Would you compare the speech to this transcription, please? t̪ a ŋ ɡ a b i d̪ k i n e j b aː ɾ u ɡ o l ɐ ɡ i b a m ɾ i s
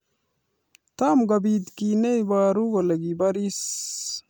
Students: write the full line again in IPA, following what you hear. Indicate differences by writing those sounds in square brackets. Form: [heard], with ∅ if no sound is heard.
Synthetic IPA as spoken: t̪ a [m] ɡ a b i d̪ k i n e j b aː ɾ u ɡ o l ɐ ɡ i b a [∅] ɾ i s